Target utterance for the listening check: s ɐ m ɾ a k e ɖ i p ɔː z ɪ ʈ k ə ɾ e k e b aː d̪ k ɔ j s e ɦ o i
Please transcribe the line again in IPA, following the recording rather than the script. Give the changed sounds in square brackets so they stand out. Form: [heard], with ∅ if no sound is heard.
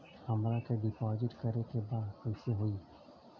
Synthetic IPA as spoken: [h] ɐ m ɾ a k e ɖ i p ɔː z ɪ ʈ k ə ɾ e k e b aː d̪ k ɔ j s e ɦ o i

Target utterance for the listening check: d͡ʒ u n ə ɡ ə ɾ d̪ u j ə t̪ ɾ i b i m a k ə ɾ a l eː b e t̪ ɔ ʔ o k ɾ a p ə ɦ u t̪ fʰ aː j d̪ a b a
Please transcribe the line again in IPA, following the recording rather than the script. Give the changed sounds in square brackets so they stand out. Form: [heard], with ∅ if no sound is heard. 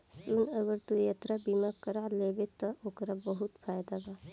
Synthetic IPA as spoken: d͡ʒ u n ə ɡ ə ɾ [t̪] u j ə t̪ ɾ [a] b i m a k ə ɾ a l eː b e t̪ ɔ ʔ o k ɾ a [b] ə ɦ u t̪ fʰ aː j d̪ a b a

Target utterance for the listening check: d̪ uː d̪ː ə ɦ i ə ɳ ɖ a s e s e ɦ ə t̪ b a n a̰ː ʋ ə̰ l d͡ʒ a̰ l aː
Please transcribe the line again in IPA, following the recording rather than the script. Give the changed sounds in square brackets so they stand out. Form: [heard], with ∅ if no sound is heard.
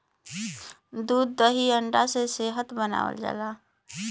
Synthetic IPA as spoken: d̪ uː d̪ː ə ɦ i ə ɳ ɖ a s e s e ɦ ə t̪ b [ə] n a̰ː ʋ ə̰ l d͡ʒ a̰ l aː

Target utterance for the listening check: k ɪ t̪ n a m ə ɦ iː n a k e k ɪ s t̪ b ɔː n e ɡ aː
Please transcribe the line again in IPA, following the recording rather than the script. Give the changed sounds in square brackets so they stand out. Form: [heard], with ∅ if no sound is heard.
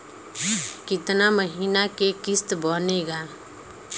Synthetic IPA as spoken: k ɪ t̪ n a m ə ɦ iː n a k e k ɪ s t̪ b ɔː n e ɡ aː

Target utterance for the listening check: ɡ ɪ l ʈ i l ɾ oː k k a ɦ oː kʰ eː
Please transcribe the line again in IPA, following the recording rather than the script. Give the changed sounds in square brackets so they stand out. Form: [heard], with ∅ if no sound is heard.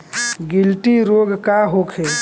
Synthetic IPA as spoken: ɡ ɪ l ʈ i [∅] ɾ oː [ɡ] k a ɦ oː kʰ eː

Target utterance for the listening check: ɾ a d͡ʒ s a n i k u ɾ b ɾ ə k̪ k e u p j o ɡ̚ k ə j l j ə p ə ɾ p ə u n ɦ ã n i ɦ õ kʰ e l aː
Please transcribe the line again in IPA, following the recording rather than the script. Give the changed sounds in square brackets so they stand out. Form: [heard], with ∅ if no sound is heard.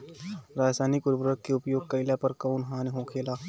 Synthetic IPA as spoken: ɾ a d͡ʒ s a n i k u ɾ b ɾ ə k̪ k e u p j o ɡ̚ k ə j l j [a] p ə ɾ [k] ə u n ɦ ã n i ɦ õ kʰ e l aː

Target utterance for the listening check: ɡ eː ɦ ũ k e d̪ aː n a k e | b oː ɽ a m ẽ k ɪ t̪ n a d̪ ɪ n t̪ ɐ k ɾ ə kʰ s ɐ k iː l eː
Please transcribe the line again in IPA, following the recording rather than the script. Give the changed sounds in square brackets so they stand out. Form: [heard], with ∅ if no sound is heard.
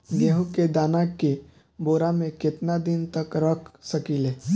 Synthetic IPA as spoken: ɡ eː ɦ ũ k e d̪ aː n a k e | b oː [ɾ] a m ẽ k ɪ t̪ n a d̪ ɪ n t̪ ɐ k ɾ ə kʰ s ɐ k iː l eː

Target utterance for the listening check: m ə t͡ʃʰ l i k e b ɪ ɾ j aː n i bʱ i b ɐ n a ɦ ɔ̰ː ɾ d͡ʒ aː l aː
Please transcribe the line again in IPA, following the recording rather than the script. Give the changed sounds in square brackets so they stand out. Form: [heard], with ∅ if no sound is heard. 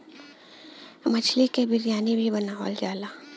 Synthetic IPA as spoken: m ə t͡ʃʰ l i k e b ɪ ɾ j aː n i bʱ i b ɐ n a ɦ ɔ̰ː [l] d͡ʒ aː l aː

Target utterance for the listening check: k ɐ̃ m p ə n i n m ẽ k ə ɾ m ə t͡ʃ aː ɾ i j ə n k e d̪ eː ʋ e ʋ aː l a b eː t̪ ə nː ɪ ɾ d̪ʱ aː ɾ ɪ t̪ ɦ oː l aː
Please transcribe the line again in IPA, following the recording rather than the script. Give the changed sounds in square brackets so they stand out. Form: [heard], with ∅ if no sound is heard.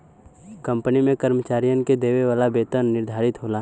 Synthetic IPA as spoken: k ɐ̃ m p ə n i [∅] m ẽ k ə ɾ m ə t͡ʃ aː ɾ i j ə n k e d̪ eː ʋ e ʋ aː l a b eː t̪ ə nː ɪ ɾ d̪ʱ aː ɾ ɪ t̪ ɦ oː l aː

